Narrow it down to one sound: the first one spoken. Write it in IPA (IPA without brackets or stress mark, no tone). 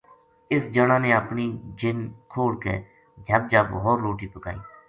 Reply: ɪ